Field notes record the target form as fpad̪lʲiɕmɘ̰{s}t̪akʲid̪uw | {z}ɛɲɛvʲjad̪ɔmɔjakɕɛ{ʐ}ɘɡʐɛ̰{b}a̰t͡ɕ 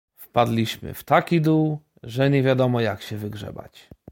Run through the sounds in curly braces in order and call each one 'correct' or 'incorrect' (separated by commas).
incorrect, incorrect, incorrect, correct